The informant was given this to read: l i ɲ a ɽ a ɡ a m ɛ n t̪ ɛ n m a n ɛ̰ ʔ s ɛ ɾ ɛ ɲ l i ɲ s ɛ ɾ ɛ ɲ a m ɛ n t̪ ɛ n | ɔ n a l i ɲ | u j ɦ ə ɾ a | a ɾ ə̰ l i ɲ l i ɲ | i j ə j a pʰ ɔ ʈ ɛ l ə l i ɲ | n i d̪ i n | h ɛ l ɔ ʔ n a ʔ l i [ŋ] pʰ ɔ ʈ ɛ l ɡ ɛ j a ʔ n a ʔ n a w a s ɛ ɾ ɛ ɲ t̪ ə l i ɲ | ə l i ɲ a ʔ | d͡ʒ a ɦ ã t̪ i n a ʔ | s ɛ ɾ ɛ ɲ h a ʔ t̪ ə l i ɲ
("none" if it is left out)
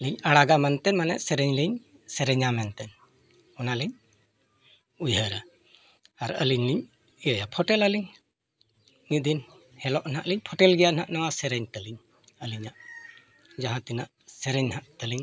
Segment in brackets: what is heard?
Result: ɲ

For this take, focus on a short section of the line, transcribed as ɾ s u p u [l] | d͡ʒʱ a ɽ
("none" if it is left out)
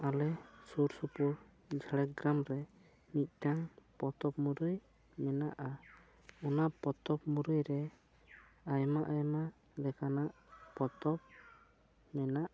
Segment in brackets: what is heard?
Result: ɾ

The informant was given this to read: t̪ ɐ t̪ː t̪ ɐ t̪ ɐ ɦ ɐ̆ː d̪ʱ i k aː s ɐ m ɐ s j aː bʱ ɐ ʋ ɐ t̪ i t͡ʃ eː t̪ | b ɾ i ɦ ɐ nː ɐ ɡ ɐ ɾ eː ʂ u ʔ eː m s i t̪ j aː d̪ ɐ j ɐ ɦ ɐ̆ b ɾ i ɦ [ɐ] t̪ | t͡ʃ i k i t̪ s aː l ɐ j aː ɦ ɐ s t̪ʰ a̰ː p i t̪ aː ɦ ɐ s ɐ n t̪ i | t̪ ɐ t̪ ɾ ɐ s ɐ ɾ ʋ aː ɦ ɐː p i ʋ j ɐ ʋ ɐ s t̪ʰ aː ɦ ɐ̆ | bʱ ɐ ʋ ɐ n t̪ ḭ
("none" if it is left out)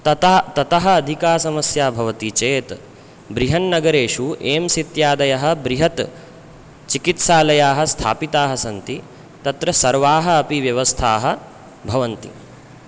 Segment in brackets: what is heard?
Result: ɐ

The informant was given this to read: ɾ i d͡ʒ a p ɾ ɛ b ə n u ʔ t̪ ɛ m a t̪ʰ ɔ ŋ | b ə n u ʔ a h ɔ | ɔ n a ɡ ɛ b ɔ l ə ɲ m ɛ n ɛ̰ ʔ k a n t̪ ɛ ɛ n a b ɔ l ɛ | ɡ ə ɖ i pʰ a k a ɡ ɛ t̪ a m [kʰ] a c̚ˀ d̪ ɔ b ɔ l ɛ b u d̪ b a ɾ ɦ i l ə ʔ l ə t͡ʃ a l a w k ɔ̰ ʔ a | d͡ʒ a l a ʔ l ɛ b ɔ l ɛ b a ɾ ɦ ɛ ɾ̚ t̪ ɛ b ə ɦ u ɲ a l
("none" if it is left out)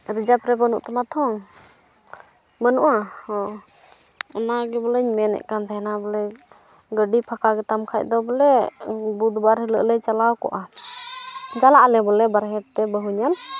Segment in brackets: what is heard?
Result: kʰ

